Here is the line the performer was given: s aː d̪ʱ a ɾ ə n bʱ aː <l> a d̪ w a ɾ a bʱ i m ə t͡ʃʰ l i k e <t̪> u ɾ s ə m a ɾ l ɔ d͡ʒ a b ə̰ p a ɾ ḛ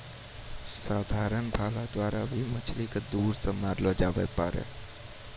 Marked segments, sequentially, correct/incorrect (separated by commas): correct, incorrect